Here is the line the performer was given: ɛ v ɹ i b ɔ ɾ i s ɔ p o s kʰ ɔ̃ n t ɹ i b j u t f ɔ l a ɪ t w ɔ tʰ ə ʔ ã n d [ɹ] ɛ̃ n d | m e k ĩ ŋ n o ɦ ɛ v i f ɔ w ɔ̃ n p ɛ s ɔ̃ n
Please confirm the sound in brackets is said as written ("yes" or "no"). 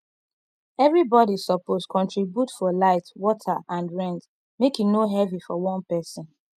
yes